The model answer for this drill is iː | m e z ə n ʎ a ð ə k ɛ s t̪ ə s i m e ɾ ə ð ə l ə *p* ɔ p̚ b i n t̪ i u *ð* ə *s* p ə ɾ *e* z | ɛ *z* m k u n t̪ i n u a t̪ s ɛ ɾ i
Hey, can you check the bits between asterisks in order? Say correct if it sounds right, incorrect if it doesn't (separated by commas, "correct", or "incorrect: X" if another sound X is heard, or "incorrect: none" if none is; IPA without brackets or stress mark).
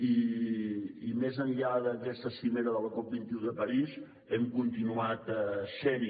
incorrect: k, correct, incorrect: none, incorrect: i, incorrect: none